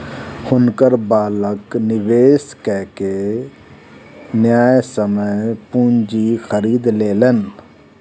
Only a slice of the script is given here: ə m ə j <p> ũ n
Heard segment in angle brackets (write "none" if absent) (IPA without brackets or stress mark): p